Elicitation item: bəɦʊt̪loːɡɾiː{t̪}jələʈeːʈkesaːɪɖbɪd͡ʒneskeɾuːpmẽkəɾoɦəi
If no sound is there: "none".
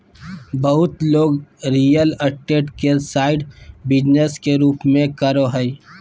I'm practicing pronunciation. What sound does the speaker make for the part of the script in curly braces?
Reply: none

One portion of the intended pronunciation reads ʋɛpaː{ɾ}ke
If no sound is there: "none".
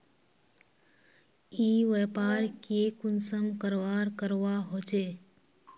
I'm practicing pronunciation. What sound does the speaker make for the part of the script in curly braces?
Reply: ɾ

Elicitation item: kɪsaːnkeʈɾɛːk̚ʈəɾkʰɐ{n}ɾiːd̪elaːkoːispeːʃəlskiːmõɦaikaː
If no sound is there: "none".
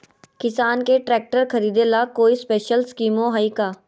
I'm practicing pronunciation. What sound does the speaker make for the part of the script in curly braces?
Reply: none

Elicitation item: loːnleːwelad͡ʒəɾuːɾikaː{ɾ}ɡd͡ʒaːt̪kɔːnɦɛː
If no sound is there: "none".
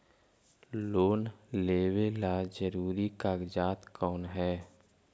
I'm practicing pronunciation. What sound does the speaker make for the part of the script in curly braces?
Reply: none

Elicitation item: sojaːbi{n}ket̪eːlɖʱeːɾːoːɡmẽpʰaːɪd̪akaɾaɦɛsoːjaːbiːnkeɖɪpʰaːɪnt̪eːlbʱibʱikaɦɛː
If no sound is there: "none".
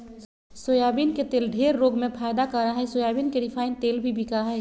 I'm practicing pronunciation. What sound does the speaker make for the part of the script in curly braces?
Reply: n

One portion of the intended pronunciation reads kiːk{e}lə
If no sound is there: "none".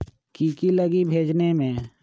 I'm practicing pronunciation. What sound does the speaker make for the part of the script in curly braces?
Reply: i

